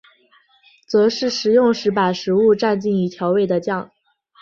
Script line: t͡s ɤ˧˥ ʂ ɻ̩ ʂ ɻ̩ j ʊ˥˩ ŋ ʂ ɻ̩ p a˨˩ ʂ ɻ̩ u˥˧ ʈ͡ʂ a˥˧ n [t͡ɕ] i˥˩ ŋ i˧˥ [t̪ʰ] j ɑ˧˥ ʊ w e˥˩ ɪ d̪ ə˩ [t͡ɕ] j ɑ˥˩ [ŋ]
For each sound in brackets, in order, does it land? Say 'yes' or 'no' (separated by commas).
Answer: yes, yes, yes, yes